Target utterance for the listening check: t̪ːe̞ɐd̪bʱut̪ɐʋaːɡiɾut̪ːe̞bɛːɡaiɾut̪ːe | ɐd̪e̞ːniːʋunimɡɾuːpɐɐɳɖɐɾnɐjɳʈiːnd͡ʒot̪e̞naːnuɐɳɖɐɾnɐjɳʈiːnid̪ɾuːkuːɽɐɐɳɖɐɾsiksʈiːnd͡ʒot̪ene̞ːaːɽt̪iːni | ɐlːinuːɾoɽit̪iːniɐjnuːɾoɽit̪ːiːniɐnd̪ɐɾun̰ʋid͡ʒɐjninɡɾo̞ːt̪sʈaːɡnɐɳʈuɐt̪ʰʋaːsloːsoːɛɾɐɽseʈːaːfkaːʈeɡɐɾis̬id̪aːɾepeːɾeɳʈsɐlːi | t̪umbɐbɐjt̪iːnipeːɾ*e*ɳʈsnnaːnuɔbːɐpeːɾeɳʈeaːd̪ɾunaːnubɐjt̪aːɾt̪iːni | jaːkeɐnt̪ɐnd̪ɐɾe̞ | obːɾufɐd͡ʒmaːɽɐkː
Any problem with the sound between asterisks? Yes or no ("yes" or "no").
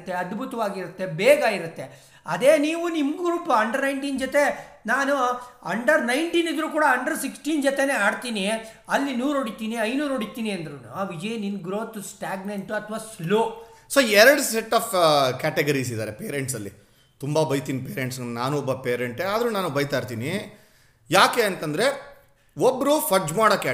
no